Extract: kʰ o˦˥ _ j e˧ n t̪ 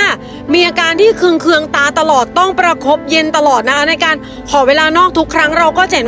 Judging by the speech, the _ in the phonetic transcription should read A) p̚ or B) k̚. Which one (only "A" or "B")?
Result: A